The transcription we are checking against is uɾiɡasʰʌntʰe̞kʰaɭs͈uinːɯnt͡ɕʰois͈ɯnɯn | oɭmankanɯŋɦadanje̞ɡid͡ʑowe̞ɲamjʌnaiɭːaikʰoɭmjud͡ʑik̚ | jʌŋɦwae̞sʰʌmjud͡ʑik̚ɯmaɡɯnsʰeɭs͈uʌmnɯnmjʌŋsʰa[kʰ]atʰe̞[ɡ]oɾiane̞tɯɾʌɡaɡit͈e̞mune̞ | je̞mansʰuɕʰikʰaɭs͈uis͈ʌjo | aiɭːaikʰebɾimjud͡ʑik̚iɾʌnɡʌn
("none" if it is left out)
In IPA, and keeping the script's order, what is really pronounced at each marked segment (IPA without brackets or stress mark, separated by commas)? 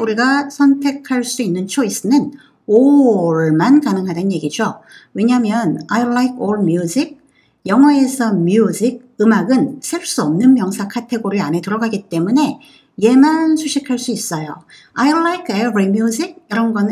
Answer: kʰ, ɡ